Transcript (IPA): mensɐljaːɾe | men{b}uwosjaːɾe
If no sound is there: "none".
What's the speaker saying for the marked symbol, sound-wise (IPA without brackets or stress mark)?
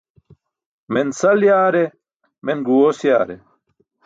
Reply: ɡ